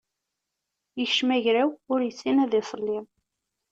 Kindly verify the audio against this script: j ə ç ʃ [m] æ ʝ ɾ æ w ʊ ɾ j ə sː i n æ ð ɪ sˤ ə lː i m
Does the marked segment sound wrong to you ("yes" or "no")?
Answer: no